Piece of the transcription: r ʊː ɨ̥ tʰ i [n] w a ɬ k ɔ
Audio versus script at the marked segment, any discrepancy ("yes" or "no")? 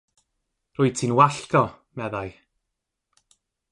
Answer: no